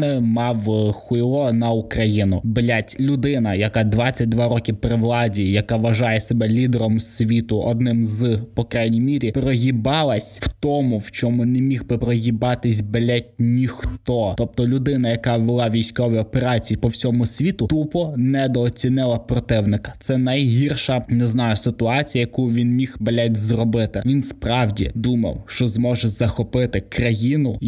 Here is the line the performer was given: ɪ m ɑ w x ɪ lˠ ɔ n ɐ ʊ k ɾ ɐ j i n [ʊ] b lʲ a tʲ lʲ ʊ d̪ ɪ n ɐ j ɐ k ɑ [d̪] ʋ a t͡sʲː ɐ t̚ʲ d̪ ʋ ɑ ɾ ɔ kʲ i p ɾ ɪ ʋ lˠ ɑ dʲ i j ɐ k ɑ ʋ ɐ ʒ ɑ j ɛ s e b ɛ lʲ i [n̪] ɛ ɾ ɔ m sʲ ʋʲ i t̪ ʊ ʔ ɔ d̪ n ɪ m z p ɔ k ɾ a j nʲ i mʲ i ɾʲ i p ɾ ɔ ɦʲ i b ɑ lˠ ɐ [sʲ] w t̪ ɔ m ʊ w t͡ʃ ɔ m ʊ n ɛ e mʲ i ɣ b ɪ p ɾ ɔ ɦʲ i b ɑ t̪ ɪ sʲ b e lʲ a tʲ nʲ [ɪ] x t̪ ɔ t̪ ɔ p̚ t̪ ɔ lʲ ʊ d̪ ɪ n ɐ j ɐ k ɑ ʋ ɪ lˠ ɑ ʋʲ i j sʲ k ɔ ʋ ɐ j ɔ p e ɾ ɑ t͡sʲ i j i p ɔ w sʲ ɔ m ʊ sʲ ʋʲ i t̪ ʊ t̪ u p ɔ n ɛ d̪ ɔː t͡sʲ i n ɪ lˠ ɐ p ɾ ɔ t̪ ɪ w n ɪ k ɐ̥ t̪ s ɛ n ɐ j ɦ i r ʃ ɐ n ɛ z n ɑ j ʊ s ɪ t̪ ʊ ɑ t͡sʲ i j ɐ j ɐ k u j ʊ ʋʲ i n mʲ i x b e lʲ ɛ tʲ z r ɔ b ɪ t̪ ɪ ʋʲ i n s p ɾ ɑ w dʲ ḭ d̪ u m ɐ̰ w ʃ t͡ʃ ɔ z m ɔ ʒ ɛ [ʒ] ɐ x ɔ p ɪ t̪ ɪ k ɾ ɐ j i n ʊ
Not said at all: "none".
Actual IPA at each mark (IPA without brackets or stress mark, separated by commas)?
ʊ, d̪, d̪, sʲ, i, z